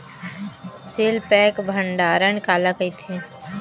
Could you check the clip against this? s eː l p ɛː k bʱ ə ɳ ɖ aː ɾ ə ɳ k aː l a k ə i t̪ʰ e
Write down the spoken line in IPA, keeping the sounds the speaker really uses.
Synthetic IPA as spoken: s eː l p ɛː k bʱ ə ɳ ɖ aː ɾ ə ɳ k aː l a k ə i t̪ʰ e